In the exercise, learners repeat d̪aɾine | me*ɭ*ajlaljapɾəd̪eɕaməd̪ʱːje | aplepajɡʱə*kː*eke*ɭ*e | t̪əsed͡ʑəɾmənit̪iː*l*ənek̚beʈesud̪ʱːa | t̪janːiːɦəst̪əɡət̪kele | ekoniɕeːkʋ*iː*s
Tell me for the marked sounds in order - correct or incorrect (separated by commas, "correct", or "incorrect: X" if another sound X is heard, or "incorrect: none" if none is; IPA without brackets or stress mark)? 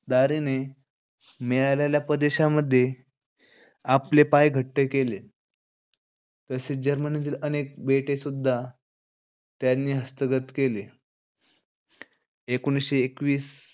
correct, incorrect: ʈː, incorrect: l, correct, correct